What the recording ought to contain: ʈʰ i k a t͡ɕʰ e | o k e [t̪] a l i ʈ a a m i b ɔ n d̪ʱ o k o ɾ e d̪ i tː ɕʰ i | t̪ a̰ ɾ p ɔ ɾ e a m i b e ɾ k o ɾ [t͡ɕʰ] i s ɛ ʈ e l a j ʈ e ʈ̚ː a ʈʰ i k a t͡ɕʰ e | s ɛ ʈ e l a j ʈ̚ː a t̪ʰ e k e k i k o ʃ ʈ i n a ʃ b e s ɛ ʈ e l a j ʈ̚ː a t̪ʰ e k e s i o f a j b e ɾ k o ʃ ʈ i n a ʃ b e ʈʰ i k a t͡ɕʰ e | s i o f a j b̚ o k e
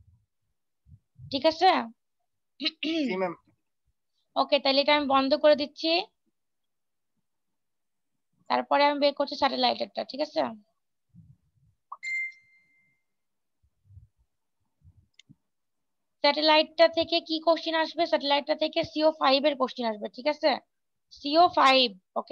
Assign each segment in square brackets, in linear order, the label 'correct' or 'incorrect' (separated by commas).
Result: correct, correct